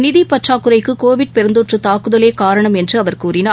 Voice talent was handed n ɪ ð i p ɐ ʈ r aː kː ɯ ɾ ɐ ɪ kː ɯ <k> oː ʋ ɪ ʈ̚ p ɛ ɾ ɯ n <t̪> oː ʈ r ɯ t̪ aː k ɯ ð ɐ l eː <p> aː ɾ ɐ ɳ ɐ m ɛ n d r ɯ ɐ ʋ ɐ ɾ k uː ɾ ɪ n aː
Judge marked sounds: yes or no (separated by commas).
yes, no, no